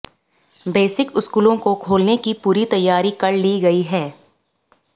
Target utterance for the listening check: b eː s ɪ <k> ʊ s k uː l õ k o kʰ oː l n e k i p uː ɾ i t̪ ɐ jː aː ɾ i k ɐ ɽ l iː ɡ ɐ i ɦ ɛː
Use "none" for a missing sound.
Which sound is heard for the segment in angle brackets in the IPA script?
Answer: k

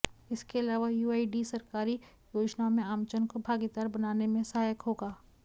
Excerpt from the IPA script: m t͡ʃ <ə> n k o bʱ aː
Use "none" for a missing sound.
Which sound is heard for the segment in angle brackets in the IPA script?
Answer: ə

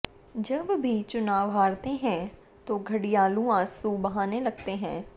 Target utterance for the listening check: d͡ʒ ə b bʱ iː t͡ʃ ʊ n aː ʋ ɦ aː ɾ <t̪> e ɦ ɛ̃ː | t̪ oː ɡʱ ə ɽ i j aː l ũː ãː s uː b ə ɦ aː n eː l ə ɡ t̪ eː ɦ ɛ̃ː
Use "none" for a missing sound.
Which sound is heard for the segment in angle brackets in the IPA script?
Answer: t̪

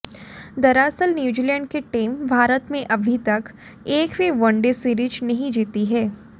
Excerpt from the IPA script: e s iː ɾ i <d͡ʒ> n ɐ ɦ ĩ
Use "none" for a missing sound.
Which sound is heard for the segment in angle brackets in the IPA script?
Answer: d͡ʒ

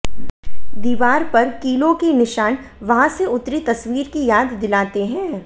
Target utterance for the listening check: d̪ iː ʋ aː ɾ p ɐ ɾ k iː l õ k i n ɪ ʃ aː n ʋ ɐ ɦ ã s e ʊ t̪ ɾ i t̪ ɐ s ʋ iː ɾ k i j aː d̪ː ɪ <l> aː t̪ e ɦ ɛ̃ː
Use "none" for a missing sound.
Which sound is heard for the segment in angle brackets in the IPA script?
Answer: l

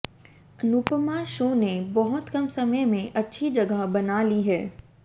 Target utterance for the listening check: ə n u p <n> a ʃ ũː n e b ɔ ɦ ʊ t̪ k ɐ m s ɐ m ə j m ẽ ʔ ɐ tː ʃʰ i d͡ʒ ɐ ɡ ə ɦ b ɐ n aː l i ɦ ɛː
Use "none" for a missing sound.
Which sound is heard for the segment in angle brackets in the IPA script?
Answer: m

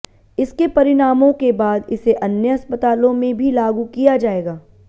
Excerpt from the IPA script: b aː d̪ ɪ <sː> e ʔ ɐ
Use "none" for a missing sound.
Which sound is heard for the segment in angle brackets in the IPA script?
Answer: s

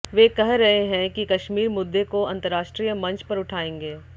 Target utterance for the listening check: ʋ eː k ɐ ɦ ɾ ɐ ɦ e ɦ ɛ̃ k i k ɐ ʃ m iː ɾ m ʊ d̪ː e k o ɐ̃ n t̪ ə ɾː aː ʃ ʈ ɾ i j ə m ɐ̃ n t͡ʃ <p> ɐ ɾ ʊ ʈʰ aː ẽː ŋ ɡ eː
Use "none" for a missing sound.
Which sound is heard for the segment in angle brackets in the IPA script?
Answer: p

